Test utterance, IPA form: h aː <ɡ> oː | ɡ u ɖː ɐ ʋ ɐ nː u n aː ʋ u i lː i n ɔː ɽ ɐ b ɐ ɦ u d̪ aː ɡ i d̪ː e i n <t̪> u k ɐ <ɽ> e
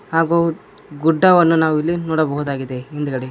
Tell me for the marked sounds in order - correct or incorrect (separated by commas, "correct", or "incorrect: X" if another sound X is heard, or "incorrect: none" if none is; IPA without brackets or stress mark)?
correct, incorrect: d̪, correct